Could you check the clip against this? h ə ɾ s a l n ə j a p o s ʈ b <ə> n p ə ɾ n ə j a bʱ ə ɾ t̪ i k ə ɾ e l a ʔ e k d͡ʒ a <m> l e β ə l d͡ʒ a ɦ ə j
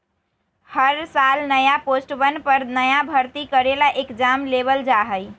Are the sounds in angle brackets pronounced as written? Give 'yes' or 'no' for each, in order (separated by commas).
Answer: yes, yes